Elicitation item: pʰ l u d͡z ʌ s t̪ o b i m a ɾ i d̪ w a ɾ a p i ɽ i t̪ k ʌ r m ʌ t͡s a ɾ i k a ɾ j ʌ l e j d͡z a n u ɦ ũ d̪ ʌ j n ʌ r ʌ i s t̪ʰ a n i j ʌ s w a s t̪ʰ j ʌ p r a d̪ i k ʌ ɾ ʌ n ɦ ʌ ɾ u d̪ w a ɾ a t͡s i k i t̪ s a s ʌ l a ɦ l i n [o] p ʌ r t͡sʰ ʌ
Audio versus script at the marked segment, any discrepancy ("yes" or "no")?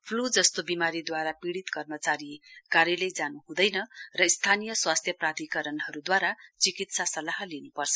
yes